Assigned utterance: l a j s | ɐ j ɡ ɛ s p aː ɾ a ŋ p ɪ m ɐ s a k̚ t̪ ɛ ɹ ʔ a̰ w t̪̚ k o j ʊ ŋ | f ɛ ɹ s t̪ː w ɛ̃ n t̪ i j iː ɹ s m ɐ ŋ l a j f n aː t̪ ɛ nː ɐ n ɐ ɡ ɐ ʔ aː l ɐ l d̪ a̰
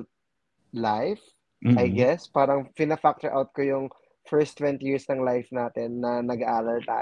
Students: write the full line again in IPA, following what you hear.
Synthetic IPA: l a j f | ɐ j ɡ ɛ s p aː ɾ ɐ ŋ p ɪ n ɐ f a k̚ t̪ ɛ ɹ ʔ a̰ w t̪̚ k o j ʊ ŋ | f ɛ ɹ s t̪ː w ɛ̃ n t̪ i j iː ɹ s n ɐ ŋ l a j f n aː t̪ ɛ nː ɐ n ɐ ɡ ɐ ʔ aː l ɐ l t̪ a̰